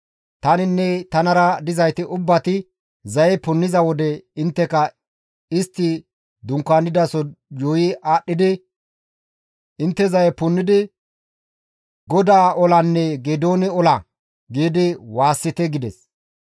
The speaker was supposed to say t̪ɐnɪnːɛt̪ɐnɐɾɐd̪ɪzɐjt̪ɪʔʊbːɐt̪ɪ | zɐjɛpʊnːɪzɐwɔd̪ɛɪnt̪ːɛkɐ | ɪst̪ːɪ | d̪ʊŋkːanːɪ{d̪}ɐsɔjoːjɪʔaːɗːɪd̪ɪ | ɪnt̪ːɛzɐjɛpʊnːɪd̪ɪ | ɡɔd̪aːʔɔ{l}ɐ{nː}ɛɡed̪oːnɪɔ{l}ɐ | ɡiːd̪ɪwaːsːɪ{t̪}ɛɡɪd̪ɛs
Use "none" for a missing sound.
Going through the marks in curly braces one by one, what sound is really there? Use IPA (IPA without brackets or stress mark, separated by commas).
d̪, l, nː, l, t̪